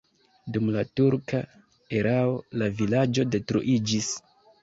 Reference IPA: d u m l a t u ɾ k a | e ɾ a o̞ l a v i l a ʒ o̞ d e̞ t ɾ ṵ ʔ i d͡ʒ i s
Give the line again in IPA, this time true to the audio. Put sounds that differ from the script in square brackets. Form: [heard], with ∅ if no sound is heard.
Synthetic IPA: d u m l a t u ɾ k a | e ɾ a o̞ l a v i l a [d͡ʒ] o̞ d e̞ t ɾ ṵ ʔ i d͡ʒ i s